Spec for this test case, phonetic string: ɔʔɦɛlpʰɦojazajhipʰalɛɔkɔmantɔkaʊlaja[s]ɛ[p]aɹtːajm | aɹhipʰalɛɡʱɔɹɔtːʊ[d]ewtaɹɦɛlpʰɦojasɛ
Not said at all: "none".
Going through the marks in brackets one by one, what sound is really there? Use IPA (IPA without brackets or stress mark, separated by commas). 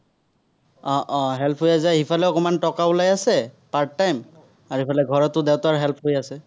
s, p, d